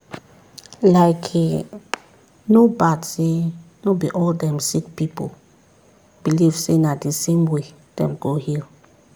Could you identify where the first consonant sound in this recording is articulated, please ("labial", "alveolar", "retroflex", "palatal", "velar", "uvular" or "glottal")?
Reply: alveolar